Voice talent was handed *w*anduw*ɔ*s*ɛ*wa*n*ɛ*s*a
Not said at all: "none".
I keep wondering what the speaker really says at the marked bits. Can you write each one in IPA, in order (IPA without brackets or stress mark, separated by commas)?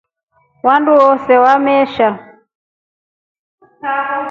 w, ɔ, ɛ, m, ʃ